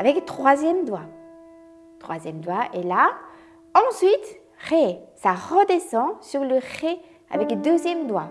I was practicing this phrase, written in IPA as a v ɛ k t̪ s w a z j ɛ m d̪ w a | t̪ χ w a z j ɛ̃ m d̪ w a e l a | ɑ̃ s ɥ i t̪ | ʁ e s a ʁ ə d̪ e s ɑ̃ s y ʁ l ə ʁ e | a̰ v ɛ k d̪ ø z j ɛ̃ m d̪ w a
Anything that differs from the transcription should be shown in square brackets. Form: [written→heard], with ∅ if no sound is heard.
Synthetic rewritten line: a v ɛ k t̪ [s→χ] w a z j ɛ m d̪ w a | t̪ χ w a z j [ɛ̃→ɛ] m d̪ w a e l a | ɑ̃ s ɥ i t̪ | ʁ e s a ʁ ə d̪ e s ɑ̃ s y ʁ l ə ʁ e | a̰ v ɛ k d̪ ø z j [ɛ̃→ɛ] m d̪ w a